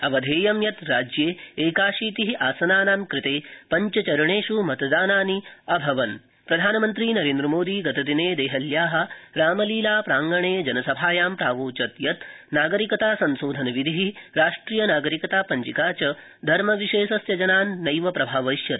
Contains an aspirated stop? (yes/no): no